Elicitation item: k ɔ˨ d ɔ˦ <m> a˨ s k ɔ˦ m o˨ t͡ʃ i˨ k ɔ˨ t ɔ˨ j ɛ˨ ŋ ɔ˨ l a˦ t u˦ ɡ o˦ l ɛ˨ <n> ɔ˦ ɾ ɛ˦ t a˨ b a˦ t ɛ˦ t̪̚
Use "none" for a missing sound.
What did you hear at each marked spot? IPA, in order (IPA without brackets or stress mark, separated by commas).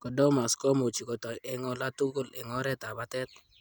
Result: m, ŋ